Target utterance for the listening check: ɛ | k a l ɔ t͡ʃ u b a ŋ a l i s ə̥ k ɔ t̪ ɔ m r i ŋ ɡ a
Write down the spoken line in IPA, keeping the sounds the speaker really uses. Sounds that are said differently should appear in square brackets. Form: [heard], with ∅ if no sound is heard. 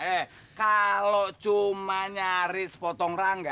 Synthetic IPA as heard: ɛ | k a l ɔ t͡ʃ u [m] a [ɲ] a [ɾ] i s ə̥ [p] ɔ t̪ ɔ [ŋ] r [a] ŋ ɡ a